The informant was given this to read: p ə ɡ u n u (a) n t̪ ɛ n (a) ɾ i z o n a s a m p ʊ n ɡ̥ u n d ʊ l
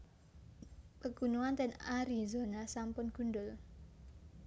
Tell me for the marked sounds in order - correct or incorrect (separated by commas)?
correct, correct